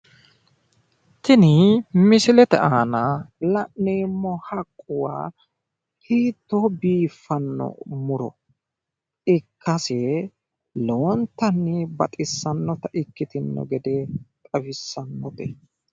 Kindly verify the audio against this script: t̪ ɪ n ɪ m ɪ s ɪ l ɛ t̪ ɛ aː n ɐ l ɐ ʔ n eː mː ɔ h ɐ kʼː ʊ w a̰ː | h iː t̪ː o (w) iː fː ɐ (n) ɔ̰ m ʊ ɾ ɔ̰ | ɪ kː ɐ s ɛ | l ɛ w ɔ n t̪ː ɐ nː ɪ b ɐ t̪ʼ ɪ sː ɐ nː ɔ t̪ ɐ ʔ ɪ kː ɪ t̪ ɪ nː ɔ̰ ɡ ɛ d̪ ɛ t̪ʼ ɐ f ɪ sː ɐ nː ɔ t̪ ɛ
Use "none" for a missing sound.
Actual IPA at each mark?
b, nː

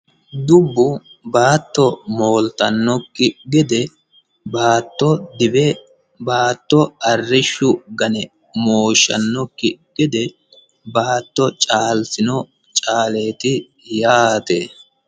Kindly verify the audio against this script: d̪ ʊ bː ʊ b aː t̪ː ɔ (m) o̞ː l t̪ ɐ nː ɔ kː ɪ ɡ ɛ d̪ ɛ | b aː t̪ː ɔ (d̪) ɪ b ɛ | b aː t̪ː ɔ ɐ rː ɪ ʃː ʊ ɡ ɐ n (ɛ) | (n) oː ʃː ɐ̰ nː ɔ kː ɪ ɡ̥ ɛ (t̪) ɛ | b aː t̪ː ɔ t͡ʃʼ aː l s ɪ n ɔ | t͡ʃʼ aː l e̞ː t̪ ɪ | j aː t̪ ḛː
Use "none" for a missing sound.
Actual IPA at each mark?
m, d̪, ɛ, m, d̪

